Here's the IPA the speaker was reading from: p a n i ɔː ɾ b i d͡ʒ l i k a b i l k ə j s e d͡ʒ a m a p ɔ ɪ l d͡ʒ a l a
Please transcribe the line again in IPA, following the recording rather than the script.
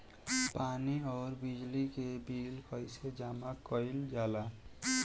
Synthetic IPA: p a n i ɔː ɾ b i d͡ʒ l i k e b i l k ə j s e d͡ʒ a m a k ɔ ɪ l d͡ʒ a l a